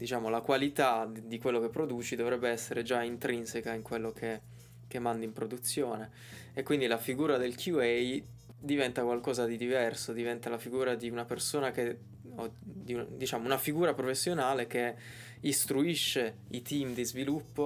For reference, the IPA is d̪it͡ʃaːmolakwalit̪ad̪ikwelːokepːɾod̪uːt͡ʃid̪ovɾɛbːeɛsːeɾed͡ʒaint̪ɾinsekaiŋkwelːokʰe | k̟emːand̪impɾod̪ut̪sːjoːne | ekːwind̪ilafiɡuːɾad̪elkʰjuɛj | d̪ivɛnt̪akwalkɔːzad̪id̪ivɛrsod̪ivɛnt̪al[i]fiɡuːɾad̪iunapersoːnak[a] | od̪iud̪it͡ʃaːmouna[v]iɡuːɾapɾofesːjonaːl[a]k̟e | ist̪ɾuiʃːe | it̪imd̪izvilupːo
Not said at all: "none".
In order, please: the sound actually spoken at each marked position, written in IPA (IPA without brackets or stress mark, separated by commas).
a, e, f, e